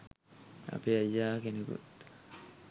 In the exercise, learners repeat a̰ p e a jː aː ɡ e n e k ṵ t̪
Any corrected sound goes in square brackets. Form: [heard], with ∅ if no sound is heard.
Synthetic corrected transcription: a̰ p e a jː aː [k] e n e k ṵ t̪

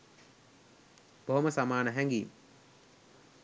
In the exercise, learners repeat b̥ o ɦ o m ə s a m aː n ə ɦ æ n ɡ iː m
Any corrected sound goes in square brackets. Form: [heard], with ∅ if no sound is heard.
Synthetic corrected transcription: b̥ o ɦ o m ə s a m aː n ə ɦ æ [ŋ] ɡ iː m

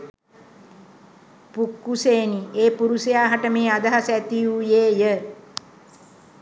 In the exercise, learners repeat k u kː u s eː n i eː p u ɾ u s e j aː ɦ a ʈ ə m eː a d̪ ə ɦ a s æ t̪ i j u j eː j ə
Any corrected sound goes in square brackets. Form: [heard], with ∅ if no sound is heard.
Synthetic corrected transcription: [p] u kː u s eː n i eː p u ɾ u s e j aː ɦ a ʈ ə m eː a d̪ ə ɦ a s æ t̪ i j u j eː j ə

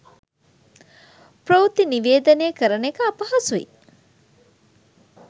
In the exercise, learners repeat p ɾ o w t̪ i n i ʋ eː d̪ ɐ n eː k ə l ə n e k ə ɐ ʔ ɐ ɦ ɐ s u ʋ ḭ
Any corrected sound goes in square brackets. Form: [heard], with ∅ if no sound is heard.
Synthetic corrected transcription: p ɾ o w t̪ i n i ʋ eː d̪ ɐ n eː k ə [ɾ] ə n e k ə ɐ [p] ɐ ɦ ɐ s u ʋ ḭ

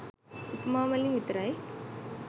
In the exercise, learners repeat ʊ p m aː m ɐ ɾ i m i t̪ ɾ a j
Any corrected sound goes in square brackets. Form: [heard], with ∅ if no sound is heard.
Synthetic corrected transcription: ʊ p m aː m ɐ [l] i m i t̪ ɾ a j

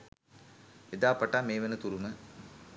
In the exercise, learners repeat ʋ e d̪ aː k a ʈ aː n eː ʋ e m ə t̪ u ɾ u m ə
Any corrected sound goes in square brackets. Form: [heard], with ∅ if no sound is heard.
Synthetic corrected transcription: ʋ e d̪ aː [p] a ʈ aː [m] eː ʋ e [n] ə t̪ u ɾ u m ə

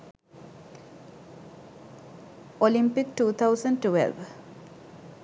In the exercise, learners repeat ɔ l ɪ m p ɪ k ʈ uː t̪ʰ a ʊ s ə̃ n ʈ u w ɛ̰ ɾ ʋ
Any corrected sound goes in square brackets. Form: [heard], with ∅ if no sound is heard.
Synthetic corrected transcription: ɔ l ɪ m p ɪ k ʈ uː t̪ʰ a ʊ s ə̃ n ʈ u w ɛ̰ [l] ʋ

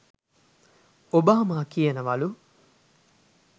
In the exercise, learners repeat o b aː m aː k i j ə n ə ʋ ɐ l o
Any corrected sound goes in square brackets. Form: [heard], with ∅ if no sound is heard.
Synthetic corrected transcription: o b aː m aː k i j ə n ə ʋ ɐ l [u]

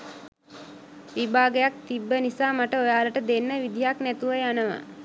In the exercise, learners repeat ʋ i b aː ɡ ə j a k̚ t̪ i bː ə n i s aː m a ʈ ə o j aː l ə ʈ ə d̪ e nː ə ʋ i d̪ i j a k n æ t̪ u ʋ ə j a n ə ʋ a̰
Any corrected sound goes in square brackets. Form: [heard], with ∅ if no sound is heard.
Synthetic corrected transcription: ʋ i b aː ɡ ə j a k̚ t̪ i bː ə n i s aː m a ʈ ə o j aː l ə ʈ ə d̪ e nː ə ʋ i d̪ i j a k n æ t̪ u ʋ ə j a n ə ʋ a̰

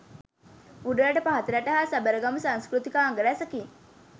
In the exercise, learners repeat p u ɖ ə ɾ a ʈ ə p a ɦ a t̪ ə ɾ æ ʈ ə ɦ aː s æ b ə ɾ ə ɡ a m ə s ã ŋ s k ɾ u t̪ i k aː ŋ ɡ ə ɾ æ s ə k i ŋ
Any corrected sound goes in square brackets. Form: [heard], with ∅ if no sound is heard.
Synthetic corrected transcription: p u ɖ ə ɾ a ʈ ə p a ɦ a t̪ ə ɾ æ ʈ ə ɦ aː s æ b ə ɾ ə ɡ a m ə s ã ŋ s k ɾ u t̪ i k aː ŋ ɡ ə ɾ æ s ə k i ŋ

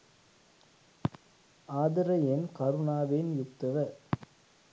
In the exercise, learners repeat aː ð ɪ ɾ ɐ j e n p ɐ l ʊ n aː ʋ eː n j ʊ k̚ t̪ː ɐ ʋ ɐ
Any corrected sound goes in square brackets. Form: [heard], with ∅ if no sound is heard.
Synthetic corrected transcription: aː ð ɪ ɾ ɐ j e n [k] ɐ [ɾ] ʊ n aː ʋ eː n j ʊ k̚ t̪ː ɐ ʋ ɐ

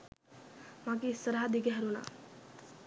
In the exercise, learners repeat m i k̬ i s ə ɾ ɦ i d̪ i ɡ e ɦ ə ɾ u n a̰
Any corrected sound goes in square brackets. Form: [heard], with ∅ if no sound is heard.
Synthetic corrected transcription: m [a] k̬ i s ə ɾ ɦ [a] d̪ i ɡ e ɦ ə ɾ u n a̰

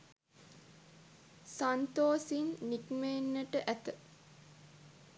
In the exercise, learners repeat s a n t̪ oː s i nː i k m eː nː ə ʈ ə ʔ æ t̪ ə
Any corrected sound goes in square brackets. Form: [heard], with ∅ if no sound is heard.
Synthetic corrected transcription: s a n t̪ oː s i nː i k m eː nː ə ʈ ə ʔ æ t̪ ə

